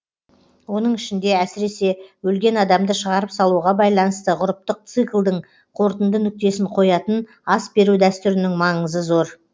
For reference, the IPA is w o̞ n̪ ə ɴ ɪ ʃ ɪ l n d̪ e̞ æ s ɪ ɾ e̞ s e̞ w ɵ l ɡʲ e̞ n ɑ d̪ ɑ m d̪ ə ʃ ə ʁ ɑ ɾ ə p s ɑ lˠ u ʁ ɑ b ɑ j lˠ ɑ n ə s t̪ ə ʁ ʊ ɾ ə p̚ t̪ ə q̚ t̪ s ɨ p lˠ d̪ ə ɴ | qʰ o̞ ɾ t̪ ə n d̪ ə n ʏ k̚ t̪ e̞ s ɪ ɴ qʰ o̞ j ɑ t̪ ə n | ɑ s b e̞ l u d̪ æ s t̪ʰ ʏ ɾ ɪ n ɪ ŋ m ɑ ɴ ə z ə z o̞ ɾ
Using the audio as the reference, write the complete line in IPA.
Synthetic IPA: w o̞ n̪ ə ɴ ɪ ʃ ɪ n d̪ e̞ æ s ɪ ɾ e̞ s e̞ w ɵ l ɡʲ e̞ n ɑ d̪ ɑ m d̪ ə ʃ ə ʁ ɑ ɾ ə p s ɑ lˠ u ʁ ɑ b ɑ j lˠ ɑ n ə s t̪ ə ʁ ʊ ɾ ə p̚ t̪ ə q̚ t̪ s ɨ k lˠ d̪ ə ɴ | qʰ o̞ ɾ t̪ ə n d̪ ə n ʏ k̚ t̪ e̞ s ɪ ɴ qʰ o̞ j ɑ t̪ ə n | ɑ s b e̞ ɾ u d̪ æ s t̪ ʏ ɾ ɪ n ɪ ŋ m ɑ ɴ ə z ə z o̞ ɾ